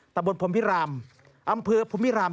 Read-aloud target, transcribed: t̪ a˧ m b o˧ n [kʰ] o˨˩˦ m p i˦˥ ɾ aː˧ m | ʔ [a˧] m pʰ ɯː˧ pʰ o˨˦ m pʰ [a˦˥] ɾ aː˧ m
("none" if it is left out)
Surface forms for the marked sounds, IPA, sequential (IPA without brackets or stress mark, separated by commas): pʰ, a˧, i˦˥